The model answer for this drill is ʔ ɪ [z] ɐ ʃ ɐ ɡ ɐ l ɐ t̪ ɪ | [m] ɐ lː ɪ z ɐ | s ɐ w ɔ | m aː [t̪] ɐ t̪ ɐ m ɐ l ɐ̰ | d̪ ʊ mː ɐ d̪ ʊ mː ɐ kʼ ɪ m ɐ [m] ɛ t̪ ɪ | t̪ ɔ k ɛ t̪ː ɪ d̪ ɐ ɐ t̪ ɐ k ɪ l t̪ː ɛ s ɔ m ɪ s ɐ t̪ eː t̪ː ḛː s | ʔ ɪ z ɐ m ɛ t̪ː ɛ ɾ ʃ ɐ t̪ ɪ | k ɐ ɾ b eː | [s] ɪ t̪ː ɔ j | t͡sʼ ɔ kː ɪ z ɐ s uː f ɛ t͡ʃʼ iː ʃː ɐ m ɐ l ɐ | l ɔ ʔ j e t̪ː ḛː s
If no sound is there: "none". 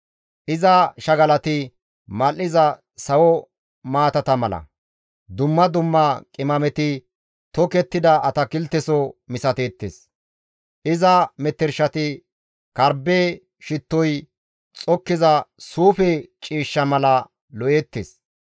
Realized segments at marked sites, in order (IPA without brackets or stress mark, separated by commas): z, m, t̪, m, ʃ